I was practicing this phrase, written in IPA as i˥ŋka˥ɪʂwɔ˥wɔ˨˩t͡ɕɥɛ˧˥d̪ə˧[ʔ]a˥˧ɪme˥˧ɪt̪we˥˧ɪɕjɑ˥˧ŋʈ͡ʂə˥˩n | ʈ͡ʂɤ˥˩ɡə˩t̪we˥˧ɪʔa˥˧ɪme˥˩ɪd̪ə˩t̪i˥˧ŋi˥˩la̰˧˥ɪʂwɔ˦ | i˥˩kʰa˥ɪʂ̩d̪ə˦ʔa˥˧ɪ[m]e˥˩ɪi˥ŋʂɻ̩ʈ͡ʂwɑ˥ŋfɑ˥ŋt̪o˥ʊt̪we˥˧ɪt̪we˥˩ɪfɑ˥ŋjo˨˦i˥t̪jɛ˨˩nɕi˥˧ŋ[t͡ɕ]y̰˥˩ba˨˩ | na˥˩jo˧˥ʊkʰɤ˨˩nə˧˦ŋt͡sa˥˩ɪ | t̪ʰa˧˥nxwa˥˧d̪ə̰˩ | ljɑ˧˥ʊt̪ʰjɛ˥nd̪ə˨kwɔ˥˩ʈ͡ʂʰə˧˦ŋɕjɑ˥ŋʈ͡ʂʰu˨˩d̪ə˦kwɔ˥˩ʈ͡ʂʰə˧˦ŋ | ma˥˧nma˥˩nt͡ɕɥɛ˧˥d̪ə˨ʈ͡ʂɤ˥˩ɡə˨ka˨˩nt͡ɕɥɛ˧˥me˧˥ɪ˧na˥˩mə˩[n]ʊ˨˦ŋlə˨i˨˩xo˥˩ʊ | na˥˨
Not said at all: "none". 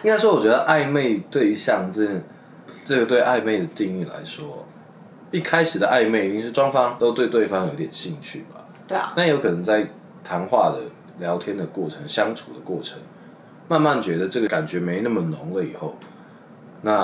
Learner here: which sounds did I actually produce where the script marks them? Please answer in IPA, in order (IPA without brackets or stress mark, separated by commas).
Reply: ʔ, m, t͡ɕʰ, n